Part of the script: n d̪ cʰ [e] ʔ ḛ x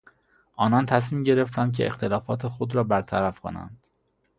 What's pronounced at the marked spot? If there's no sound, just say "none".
e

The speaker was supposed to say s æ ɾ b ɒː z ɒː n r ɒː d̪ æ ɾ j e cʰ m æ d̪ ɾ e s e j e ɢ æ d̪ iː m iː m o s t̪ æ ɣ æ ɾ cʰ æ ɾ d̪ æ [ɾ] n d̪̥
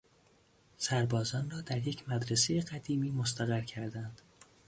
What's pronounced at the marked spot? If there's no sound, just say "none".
none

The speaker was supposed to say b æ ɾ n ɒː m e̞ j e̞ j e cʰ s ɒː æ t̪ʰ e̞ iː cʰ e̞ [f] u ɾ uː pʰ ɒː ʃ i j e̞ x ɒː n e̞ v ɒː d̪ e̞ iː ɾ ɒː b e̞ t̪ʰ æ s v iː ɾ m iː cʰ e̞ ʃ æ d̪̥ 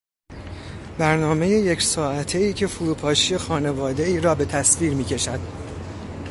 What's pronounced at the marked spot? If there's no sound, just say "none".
f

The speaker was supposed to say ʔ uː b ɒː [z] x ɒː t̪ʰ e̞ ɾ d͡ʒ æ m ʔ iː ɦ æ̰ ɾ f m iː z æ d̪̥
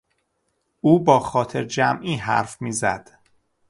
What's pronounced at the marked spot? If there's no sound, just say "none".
none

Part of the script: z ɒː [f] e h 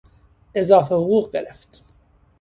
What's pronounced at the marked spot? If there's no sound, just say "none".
f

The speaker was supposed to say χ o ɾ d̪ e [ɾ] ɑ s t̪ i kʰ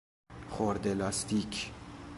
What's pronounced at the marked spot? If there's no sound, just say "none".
l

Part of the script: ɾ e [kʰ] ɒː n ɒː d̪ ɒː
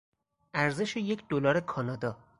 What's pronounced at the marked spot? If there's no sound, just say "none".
kʰ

